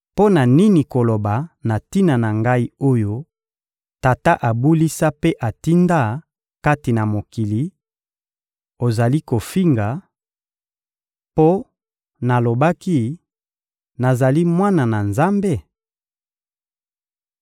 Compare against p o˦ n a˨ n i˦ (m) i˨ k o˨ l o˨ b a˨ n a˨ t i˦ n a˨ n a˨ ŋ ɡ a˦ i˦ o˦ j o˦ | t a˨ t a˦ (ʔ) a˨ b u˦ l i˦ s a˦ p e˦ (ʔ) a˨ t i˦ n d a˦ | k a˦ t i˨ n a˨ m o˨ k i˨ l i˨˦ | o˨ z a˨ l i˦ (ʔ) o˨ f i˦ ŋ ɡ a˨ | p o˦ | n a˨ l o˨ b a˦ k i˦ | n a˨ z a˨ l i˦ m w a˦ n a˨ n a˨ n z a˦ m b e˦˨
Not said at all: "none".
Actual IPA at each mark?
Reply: n, ʔ, ʔ, k

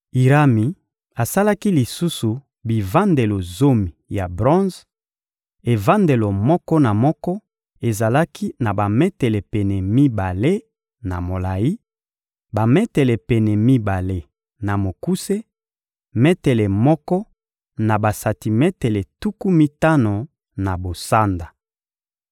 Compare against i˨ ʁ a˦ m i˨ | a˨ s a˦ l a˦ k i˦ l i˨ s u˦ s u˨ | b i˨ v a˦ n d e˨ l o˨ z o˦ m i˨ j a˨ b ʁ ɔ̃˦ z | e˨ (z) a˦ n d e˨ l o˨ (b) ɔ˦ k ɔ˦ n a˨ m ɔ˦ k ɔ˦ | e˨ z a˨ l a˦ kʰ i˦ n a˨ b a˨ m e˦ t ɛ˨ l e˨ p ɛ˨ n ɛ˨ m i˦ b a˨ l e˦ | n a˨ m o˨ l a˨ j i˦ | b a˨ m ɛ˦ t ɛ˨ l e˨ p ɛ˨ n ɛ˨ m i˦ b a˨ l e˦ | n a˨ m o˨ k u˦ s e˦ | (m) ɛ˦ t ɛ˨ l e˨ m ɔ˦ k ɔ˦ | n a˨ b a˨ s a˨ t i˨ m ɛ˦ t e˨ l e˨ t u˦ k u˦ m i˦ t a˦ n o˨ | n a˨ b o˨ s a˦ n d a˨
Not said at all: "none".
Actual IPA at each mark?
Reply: v, m, m

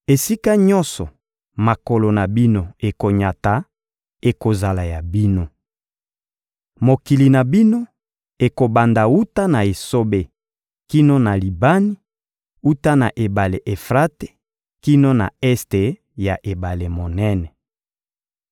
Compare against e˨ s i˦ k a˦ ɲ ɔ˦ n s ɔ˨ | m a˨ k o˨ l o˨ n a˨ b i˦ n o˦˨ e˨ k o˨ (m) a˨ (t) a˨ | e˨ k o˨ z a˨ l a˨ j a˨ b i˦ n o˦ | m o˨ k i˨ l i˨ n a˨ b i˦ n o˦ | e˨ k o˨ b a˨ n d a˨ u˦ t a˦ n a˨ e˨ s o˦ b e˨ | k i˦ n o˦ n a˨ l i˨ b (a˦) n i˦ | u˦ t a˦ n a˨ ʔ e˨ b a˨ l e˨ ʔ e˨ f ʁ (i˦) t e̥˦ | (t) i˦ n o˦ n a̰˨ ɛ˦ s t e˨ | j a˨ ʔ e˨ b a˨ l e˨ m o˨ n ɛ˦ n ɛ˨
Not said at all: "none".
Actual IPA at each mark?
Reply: ɲ, t, a˦, a˦, k

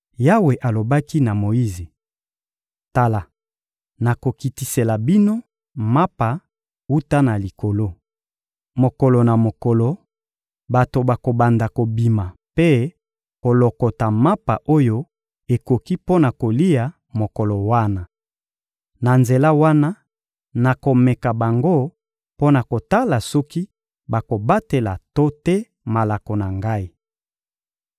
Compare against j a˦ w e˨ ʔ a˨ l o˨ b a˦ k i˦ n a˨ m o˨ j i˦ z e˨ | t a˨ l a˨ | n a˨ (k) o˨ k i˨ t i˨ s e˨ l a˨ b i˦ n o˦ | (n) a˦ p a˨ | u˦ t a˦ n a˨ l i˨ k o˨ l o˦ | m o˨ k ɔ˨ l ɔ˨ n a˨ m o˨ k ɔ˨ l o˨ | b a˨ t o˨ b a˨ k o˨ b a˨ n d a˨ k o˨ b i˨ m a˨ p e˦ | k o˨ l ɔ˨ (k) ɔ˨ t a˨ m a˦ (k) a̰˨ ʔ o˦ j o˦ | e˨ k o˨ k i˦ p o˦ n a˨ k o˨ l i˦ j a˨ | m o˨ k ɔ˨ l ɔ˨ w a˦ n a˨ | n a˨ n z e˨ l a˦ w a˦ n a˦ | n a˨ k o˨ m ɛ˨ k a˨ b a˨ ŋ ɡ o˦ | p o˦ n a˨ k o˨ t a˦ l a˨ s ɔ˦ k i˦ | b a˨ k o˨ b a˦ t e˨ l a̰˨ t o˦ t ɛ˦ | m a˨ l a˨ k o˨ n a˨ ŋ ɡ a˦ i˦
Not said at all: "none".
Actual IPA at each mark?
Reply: k, m, k, p

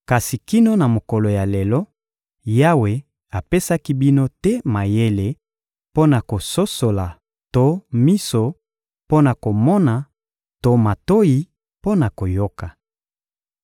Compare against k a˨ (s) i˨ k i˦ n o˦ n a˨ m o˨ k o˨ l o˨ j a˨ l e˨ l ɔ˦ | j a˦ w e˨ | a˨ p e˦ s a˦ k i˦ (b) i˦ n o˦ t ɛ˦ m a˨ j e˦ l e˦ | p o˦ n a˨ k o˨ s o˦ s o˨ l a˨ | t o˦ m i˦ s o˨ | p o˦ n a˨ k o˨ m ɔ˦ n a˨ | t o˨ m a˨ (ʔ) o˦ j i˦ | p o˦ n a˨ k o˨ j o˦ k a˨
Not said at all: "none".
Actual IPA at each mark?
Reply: s, b, t

